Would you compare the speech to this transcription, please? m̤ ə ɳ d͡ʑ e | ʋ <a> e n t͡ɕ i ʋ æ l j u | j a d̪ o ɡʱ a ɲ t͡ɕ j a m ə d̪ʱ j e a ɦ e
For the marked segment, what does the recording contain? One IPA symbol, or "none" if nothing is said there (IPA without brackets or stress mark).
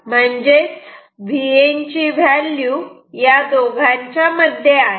i